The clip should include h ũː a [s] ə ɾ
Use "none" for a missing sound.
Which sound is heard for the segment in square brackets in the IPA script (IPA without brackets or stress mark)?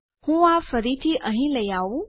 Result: f